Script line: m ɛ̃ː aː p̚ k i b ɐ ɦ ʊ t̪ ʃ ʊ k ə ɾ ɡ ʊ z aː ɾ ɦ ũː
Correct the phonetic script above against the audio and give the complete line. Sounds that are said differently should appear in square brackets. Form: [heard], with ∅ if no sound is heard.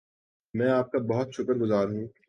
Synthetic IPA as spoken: m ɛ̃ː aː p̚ k [a] b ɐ ɦ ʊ t̪ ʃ ʊ k ə ɾ ɡ ʊ z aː ɾ ɦ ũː